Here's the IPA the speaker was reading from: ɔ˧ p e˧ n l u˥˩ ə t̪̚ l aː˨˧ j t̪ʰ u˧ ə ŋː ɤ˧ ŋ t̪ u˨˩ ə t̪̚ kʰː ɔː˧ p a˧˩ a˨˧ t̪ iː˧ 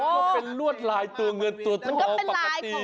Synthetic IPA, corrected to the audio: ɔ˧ p e˧ n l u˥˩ ə t̪̚ l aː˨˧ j t̪ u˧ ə ŋ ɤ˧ n t̪ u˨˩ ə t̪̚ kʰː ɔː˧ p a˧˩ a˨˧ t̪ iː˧